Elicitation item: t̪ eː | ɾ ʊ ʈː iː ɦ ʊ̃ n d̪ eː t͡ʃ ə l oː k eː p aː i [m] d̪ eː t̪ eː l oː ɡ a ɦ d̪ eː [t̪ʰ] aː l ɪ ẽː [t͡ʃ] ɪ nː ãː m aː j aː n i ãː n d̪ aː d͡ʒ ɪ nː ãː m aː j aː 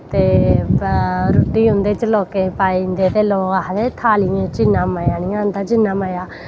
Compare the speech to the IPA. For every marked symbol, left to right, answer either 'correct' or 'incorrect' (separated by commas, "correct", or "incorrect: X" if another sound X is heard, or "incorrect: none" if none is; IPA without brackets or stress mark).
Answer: incorrect: n, correct, correct